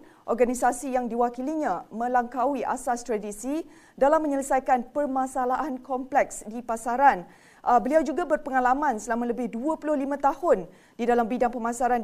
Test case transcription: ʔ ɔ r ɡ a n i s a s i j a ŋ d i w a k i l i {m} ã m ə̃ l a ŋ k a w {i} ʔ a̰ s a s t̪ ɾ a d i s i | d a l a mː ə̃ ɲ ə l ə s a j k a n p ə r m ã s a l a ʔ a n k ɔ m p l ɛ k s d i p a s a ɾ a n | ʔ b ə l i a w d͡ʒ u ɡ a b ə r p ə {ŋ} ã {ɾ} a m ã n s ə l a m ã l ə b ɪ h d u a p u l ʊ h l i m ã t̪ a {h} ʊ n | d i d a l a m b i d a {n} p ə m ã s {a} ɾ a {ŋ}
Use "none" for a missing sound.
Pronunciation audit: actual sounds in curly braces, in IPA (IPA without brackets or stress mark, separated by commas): ɲ, i, ŋ, l, h, ŋ, a, n